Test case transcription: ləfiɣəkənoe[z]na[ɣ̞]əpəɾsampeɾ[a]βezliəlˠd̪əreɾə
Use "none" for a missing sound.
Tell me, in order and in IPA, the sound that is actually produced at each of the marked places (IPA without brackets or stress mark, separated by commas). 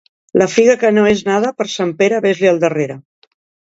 z, ð̞, ə